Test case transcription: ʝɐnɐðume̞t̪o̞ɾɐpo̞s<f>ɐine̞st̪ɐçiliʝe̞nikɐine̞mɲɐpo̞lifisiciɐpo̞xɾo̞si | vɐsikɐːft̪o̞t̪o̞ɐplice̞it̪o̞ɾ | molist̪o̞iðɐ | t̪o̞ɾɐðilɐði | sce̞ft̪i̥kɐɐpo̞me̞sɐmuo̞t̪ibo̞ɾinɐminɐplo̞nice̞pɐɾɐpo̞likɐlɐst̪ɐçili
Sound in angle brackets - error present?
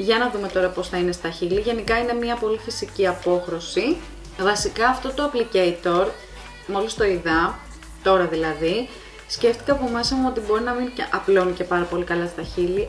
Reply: yes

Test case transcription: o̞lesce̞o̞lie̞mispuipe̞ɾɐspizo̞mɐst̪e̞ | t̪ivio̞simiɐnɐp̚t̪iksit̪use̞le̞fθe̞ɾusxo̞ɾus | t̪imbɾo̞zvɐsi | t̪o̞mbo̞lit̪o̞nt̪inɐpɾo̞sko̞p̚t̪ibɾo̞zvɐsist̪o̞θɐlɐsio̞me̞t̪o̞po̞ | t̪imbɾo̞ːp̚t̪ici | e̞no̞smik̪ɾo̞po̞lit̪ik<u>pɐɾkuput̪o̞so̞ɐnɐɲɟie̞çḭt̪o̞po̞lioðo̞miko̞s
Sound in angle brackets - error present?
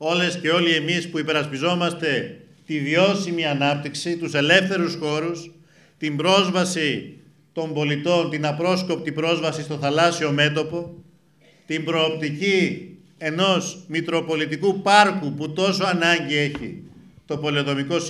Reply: no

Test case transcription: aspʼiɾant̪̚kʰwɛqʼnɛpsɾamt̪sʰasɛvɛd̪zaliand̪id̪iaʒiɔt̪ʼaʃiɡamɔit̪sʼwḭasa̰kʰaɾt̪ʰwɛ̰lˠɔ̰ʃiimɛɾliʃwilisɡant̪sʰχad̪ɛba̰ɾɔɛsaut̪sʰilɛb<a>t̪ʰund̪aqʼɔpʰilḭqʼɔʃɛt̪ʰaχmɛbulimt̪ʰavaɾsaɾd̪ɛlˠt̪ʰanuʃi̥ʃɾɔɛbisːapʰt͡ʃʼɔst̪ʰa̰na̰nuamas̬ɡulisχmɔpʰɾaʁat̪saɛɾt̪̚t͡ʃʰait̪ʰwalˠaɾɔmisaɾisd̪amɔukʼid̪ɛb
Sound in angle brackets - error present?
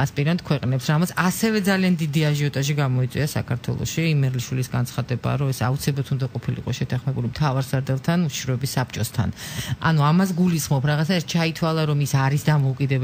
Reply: no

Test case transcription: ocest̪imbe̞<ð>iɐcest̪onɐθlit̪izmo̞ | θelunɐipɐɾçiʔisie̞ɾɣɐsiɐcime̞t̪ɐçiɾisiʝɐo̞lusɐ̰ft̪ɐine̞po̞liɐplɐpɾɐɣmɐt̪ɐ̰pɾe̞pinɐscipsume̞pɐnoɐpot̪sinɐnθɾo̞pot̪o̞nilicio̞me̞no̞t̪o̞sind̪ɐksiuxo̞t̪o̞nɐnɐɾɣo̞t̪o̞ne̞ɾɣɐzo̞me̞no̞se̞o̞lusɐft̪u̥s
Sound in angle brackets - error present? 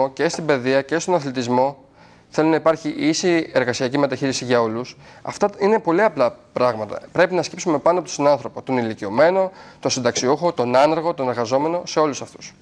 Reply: no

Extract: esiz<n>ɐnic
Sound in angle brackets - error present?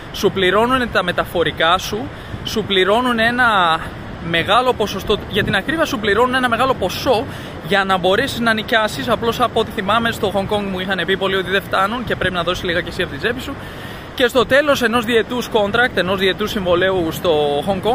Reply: no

